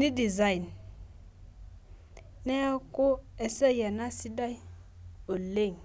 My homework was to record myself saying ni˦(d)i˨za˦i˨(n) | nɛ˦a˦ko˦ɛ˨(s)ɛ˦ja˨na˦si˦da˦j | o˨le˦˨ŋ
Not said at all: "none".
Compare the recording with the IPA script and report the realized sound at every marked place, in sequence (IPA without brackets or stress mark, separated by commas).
d, n, s